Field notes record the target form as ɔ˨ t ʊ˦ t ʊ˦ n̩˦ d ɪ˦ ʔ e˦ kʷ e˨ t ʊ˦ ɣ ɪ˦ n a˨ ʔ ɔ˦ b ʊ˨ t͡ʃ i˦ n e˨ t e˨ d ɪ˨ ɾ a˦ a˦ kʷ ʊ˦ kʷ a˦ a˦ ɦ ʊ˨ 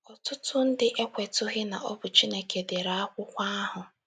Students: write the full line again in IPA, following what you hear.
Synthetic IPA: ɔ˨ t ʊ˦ t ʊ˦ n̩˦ d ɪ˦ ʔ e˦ kʷ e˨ t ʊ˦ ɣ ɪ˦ n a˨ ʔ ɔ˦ b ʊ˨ t͡ʃ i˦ n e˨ k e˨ d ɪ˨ ɾ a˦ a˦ kʷ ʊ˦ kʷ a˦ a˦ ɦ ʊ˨